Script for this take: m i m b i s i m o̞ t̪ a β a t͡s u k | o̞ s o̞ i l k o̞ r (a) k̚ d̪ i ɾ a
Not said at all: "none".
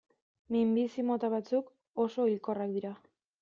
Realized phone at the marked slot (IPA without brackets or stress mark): a